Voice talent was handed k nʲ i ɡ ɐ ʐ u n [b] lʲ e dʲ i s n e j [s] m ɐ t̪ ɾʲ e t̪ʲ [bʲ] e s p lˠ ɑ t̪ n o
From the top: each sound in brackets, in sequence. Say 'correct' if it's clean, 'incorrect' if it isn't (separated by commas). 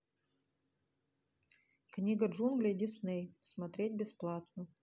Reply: incorrect, correct, correct